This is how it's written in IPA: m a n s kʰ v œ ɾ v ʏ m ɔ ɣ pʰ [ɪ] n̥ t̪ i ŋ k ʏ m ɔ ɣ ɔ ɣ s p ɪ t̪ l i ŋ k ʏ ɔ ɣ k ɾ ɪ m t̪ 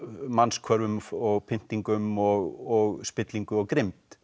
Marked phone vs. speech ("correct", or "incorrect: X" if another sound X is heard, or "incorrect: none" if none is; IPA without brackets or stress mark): correct